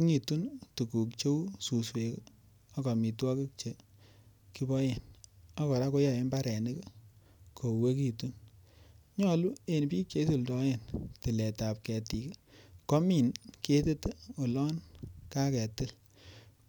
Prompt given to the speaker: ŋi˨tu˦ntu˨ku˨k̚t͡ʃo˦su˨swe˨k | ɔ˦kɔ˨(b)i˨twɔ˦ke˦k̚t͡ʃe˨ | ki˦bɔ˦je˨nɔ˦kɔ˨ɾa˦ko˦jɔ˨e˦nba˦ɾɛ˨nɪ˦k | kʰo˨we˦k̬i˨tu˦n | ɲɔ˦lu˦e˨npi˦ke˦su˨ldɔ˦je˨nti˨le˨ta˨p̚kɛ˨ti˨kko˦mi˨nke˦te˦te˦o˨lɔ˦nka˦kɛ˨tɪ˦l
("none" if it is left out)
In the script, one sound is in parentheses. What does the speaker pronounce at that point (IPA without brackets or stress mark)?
m